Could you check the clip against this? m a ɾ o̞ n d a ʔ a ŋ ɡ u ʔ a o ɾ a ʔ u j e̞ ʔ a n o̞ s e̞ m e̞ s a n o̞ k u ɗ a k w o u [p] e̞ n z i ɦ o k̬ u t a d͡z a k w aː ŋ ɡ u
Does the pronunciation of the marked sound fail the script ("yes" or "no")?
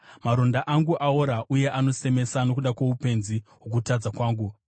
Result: no